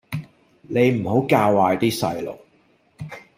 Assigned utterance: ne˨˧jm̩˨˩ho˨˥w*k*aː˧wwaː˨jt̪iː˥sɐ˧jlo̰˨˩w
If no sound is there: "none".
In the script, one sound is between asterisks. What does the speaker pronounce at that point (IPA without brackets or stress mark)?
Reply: k